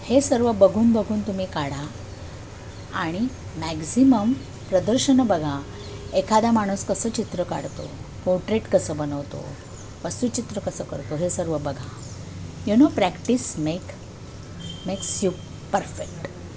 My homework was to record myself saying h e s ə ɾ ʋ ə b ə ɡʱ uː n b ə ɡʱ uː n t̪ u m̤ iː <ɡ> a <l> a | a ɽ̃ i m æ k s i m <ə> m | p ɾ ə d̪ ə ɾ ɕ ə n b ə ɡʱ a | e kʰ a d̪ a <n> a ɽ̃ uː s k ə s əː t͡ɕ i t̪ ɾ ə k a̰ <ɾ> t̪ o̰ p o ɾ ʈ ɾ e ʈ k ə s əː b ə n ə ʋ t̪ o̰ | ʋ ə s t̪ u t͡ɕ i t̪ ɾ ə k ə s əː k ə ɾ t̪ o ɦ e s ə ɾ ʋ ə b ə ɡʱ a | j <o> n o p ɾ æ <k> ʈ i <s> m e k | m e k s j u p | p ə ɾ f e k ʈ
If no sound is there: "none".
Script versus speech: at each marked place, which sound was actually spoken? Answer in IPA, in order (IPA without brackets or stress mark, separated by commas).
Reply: k, ɽ, ə, m, ɽ, u, k, s